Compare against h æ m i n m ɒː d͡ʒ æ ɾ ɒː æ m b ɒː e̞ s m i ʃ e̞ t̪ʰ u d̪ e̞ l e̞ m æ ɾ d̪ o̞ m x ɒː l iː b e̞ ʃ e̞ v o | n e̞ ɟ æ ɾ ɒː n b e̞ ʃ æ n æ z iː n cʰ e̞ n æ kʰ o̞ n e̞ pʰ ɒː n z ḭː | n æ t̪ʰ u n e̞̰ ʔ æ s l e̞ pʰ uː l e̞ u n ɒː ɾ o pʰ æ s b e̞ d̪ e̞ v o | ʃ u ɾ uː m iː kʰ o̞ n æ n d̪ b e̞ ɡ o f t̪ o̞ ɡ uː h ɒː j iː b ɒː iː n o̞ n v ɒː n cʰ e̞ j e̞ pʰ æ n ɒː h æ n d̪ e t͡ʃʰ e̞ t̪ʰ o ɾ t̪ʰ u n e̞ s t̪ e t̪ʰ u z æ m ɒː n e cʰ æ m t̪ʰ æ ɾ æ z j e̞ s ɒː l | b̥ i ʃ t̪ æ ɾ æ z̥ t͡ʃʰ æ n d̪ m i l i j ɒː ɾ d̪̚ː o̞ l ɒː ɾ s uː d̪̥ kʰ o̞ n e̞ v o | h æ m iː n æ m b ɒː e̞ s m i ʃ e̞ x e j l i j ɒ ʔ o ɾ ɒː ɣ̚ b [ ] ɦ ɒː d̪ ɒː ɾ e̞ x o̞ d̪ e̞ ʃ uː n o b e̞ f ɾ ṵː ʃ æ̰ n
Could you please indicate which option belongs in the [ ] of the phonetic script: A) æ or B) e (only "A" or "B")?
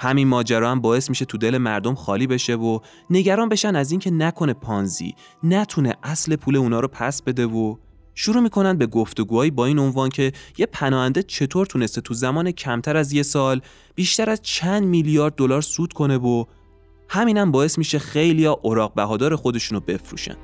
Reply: A